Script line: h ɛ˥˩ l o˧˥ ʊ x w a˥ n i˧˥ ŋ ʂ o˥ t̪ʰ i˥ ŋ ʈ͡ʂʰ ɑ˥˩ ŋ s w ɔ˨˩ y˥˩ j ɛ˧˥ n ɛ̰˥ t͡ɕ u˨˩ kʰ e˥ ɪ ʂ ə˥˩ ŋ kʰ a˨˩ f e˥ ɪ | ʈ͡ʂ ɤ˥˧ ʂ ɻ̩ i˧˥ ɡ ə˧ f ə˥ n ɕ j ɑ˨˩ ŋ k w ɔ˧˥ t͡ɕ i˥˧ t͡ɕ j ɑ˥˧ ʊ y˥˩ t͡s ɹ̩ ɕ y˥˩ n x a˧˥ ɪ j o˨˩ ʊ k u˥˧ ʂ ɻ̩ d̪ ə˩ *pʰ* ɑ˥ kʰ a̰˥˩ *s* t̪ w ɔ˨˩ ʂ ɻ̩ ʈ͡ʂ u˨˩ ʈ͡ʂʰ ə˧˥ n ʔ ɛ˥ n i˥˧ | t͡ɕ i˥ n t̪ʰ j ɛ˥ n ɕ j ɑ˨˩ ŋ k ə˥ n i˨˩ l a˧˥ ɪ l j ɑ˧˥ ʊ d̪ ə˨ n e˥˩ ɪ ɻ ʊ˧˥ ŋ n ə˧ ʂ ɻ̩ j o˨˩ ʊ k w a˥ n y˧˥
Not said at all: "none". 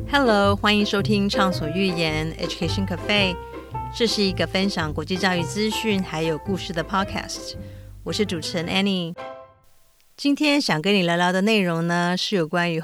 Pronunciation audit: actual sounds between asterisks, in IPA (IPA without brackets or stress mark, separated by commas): pʰ, s